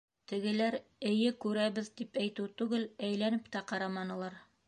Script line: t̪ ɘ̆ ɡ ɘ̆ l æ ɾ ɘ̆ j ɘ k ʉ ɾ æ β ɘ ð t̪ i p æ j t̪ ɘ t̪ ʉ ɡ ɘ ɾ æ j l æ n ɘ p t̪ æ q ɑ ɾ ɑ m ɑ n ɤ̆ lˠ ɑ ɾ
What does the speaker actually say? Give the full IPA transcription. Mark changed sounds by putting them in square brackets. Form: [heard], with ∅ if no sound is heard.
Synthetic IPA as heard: t̪ ɘ̆ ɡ ɘ̆ l æ ɾ ɘ̆ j ɘ k ʉ ɾ æ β ɘ ð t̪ i p æ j t̪ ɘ t̪ ʉ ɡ ɘ [l] æ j l æ n ɘ p t̪ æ q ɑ ɾ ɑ m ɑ n ɤ̆ lˠ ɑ ɾ